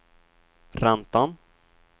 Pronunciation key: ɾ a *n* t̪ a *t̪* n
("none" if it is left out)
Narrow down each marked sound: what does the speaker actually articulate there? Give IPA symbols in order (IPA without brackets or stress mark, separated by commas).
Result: n, none